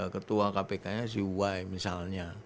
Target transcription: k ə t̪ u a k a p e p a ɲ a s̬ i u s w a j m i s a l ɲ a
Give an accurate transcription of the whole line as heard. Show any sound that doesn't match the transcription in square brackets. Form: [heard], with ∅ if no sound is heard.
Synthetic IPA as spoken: k ə t̪ u a k a p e [k] a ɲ a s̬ i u [∅] w a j m i s a l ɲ a